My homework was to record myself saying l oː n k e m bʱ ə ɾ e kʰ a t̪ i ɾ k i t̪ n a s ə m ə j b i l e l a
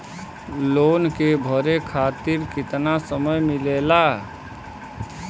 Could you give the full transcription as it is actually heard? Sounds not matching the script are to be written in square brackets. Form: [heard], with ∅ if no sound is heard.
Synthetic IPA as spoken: l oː n k e [∅] bʱ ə ɾ e kʰ a t̪ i ɾ k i t̪ n a s ə m ə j [m] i l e l a

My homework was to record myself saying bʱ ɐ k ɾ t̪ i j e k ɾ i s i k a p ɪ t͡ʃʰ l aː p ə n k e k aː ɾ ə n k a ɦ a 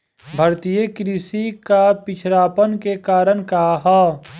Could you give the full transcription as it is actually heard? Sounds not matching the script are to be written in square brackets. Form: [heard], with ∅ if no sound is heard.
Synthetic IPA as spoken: bʱ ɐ [∅] ɾ t̪ i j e k ɾ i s i k a p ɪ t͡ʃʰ [ɾ] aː p ə n k e k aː ɾ ə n k a ɦ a

